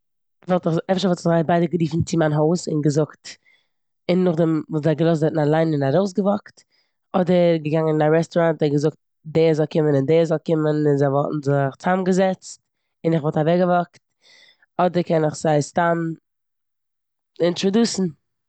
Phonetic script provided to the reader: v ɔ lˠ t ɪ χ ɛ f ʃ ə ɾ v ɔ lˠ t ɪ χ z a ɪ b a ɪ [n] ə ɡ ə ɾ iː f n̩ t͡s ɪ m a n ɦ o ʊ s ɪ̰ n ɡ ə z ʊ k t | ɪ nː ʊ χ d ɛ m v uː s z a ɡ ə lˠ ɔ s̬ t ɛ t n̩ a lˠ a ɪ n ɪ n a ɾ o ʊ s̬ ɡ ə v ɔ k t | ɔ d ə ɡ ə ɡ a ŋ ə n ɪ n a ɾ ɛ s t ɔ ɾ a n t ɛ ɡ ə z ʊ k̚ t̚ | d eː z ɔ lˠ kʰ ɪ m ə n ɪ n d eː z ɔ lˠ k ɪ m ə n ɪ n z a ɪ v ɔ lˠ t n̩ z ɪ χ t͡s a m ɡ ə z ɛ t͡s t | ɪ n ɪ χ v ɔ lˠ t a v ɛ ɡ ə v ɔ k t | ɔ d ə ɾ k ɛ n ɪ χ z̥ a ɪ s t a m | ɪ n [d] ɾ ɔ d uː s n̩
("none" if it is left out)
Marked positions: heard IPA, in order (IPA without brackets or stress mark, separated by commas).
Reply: d, t